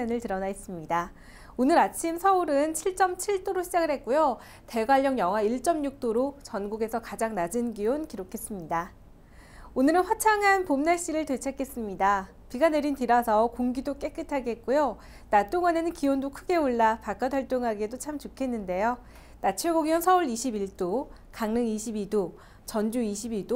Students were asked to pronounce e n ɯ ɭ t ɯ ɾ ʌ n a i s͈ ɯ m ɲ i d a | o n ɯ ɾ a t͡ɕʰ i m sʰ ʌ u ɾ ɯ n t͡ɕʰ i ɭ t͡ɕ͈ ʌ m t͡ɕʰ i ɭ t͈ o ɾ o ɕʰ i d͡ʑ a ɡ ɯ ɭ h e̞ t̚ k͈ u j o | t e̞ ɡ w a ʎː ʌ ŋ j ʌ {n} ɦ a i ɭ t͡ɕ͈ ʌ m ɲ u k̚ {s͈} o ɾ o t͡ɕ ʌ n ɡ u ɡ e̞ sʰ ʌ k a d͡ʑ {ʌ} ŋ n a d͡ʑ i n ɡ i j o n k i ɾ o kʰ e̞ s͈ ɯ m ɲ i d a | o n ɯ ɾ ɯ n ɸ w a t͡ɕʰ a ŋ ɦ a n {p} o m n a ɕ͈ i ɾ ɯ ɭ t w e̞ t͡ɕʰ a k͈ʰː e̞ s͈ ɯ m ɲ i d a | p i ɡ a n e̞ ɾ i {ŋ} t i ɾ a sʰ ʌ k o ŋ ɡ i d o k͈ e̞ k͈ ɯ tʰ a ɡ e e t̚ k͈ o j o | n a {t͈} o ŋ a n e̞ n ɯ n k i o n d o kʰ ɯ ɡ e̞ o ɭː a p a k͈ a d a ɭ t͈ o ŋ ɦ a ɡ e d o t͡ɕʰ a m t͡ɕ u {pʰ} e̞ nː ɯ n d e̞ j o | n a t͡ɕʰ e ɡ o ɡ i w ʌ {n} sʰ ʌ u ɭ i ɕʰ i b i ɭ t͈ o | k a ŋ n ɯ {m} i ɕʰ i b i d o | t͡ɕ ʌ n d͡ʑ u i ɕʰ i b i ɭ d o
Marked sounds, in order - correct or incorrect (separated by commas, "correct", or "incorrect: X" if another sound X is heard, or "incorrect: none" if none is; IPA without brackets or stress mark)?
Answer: incorrect: ŋ, incorrect: t͈, incorrect: a, correct, incorrect: n, correct, incorrect: kʰ, correct, incorrect: ŋ